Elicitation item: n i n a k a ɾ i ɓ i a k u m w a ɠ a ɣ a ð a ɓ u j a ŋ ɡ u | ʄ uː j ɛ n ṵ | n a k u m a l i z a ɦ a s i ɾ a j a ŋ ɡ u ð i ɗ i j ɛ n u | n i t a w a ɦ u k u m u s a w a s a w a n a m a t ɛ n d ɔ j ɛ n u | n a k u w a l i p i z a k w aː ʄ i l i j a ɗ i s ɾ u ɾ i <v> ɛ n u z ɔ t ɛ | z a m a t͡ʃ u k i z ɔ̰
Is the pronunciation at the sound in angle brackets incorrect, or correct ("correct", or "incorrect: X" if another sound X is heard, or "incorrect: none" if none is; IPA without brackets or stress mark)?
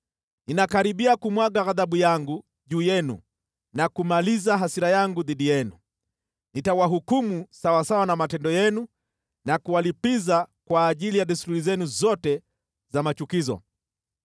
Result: incorrect: z